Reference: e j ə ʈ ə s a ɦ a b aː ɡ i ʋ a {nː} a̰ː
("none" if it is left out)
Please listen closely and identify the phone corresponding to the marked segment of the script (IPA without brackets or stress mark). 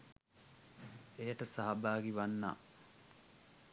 nː